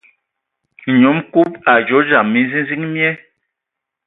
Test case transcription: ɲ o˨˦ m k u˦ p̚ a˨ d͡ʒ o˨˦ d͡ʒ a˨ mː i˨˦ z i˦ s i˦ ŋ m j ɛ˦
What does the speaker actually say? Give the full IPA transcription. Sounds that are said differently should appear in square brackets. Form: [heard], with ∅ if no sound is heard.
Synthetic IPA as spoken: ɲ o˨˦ m k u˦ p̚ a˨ d͡ʒ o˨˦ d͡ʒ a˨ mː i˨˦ z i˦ [z] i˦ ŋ m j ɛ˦